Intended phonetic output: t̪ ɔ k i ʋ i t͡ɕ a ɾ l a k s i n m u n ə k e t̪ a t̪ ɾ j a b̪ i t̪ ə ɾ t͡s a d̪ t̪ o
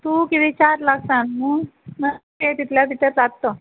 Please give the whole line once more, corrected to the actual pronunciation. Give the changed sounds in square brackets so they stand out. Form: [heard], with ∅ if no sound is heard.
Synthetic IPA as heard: t̪ [u] k i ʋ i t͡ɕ a ɾ l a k s [a] n m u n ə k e t̪ [i] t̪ [l] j a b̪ i t̪ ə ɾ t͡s a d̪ t̪ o